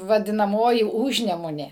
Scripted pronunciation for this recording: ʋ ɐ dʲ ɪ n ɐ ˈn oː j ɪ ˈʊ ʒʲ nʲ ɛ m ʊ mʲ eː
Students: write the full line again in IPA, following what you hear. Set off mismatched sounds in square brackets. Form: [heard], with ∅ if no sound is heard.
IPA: ʋ ɐ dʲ ɪ n ɐ [ˈm] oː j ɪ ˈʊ ʒʲ nʲ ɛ m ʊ [nʲ] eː